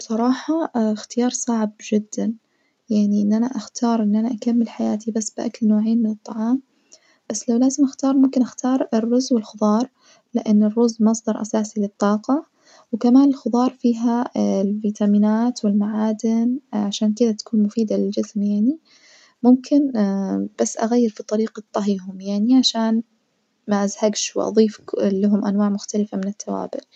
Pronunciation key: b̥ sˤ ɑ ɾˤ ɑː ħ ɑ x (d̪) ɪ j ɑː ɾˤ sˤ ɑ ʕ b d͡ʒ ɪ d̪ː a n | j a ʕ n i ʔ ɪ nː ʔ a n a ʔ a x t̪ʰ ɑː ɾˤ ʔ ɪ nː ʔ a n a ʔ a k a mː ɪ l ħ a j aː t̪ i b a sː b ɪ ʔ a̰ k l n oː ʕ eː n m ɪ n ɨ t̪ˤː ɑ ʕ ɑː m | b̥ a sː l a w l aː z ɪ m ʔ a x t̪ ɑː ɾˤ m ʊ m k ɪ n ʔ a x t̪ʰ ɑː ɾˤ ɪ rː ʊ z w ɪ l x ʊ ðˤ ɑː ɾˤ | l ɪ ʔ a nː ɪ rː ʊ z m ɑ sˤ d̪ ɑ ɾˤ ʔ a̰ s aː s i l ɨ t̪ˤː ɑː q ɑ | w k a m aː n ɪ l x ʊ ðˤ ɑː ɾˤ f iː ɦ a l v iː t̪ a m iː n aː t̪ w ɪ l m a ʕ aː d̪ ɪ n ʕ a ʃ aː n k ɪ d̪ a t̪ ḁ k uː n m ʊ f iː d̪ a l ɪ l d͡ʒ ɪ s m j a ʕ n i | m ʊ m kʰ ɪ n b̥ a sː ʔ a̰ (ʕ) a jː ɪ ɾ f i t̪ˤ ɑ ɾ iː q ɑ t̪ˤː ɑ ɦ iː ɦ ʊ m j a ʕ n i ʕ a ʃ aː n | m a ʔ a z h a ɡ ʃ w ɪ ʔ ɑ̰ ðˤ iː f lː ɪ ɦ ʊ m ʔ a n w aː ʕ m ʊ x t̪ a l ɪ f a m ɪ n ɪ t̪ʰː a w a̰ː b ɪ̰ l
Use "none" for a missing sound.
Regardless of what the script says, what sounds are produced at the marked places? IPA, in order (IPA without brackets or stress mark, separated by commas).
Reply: t̪, ɣ